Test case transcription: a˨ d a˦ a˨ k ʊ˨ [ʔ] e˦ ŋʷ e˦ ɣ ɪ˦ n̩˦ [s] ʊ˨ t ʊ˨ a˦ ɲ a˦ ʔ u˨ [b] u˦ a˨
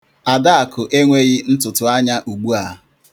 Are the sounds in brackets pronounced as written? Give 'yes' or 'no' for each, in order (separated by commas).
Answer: yes, no, no